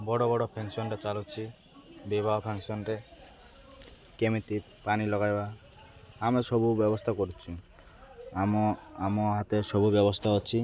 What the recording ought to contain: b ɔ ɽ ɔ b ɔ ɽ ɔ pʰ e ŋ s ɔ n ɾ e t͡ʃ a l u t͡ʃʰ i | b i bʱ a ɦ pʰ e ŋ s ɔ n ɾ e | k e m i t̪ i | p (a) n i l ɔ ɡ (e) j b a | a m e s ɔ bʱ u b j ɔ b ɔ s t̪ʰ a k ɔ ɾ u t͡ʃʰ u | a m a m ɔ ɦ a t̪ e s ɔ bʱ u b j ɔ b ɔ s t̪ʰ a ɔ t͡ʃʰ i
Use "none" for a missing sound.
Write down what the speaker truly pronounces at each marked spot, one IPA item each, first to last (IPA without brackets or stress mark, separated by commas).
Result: a, a